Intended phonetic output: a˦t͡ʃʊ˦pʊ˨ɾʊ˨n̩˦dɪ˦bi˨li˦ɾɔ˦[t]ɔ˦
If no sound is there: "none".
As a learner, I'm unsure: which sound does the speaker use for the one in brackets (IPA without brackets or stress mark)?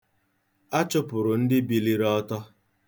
t